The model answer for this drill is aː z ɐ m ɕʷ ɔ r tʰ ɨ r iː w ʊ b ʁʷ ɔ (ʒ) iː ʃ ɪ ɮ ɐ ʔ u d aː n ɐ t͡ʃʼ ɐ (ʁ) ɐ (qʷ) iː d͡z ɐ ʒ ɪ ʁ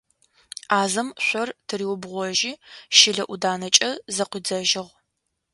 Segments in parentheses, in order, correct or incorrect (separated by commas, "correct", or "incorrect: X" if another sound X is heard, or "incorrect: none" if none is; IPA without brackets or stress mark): correct, incorrect: z, correct